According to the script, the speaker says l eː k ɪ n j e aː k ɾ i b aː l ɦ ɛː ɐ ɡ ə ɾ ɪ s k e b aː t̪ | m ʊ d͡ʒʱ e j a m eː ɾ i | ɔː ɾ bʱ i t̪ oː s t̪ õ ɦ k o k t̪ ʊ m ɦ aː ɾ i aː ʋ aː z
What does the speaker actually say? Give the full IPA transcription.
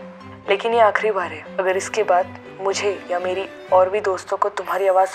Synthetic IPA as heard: l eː k ɪ n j e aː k ɾ i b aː ɾ ɦ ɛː ɐ ɡ ə ɾ ɪ s k e b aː d̪ | m ʊ d͡ʒʱ e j a m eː ɾ i | ɔː ɾ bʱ i d̪ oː s t̪ õ k o t̪ ʊ m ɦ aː ɾ i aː ʋ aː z